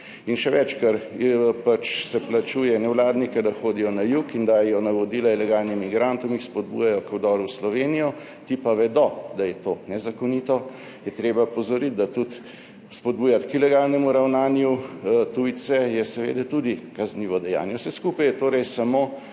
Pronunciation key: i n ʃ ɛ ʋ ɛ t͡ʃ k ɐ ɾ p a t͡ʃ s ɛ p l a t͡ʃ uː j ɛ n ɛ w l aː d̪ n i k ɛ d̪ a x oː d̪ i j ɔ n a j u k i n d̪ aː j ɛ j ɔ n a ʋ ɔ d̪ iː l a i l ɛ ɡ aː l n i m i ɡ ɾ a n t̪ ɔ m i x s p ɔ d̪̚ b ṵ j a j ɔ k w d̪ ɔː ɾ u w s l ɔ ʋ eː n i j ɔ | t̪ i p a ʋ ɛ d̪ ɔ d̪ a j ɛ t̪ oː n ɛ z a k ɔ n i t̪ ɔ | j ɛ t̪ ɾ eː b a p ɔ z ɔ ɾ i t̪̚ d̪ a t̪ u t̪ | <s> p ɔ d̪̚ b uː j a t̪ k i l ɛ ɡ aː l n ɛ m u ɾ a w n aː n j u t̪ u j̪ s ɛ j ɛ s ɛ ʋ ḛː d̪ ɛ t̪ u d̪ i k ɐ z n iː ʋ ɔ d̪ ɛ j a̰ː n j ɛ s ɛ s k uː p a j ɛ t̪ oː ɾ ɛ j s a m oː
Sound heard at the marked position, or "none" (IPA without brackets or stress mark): s